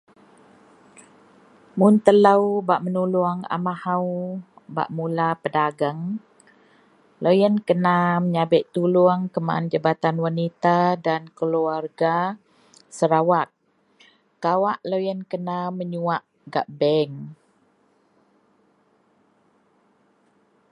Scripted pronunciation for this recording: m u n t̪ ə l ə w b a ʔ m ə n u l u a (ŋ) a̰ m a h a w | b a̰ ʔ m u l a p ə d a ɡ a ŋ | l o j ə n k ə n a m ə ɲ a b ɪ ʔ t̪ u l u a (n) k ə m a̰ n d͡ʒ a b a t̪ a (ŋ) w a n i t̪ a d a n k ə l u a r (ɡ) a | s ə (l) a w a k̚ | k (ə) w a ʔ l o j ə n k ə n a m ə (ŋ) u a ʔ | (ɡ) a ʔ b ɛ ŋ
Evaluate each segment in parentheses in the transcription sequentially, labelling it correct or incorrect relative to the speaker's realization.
correct, incorrect: ŋ, incorrect: n, correct, incorrect: ɾ, incorrect: a, incorrect: ɲ, correct

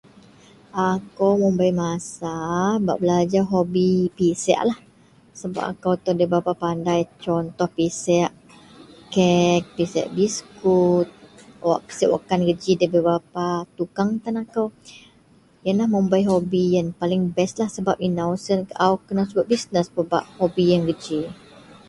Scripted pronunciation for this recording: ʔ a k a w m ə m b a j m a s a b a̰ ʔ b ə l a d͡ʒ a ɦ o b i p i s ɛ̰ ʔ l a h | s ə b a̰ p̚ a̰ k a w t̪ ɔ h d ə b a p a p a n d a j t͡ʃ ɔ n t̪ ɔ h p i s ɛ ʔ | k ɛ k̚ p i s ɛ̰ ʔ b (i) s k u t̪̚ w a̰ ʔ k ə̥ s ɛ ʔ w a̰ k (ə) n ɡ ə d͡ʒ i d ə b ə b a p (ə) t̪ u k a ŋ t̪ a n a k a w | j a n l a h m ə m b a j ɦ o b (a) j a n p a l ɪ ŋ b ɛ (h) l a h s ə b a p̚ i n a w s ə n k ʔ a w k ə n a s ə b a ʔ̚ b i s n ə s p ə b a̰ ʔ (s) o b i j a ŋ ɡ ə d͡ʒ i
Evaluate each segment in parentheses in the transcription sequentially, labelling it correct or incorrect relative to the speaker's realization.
correct, incorrect: a, incorrect: a, incorrect: i, incorrect: s, incorrect: h

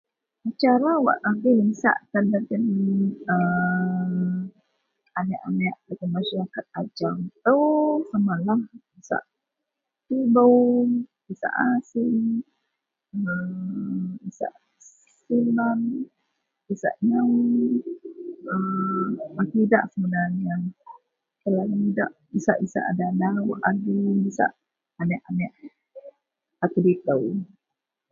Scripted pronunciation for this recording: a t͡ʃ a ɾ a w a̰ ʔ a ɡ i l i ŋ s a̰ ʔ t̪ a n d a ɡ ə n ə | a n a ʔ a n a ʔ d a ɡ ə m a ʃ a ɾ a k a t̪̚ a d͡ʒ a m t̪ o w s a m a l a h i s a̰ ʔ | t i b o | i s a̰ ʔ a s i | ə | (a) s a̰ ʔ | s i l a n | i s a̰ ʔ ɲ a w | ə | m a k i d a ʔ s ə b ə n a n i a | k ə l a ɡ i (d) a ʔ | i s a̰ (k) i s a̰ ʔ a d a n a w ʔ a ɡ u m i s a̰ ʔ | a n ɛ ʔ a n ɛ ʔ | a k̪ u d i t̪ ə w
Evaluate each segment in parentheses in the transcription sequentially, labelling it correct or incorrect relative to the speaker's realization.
incorrect: i, correct, incorrect: ʔ

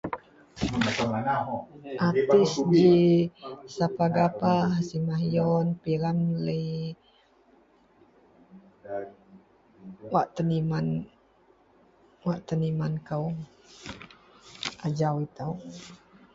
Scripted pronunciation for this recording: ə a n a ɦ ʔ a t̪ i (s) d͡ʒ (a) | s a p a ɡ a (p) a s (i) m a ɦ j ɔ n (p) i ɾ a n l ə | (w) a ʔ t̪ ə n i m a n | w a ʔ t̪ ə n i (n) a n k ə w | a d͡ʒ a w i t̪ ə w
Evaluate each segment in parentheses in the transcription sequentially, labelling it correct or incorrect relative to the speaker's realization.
correct, incorrect: i, correct, correct, correct, correct, incorrect: m

